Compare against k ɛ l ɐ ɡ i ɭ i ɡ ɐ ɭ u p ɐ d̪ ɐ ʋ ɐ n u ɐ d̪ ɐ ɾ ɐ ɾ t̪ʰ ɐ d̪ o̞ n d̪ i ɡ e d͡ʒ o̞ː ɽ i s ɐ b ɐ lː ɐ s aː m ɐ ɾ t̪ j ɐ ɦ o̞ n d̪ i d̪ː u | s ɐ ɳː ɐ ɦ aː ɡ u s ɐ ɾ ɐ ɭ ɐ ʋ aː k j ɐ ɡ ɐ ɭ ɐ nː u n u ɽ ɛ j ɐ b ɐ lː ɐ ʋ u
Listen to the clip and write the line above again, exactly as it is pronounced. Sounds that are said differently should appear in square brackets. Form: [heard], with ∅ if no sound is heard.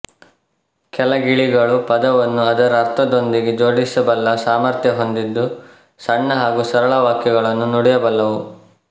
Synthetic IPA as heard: k ɛ l ɐ ɡ i ɭ i ɡ ɐ ɭ u p ɐ d̪ ɐ ʋ ɐ [nː] u ɐ d̪ ɐ ɾ ɐ ɾ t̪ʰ ɐ d̪ o̞ n d̪ i ɡ e d͡ʒ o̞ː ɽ i s ɐ b ɐ lː ɐ s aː m ɐ ɾ t̪ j ɐ ɦ o̞ n d̪ i d̪ː u | s ɐ ɳː ɐ ɦ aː ɡ u s ɐ ɾ ɐ ɭ ɐ ʋ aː k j ɐ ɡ ɐ ɭ ɐ nː u n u ɽ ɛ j ɐ b ɐ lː ɐ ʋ u